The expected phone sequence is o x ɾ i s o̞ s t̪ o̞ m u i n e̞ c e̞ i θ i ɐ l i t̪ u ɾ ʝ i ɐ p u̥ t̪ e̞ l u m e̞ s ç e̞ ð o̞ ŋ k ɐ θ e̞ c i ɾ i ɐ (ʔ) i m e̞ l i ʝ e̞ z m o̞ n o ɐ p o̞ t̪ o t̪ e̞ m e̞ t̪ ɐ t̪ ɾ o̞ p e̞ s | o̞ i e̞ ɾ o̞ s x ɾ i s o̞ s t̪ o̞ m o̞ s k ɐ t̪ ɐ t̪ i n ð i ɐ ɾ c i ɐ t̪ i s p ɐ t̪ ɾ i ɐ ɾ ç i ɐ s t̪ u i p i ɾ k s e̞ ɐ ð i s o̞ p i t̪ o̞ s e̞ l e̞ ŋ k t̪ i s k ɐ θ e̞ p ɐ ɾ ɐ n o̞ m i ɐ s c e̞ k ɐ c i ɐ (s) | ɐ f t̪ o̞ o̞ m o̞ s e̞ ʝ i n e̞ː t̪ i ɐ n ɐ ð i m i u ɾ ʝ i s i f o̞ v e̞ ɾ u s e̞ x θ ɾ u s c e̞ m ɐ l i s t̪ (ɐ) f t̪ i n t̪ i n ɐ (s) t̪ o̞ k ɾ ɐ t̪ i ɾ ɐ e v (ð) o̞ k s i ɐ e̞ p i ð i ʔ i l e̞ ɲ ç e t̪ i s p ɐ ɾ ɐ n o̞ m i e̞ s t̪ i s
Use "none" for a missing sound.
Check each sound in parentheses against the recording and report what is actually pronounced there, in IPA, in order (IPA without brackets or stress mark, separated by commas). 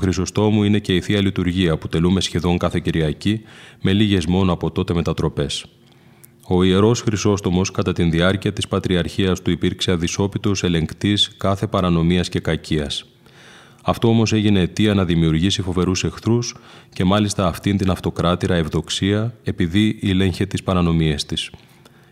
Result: c, s, ɐː, f, ð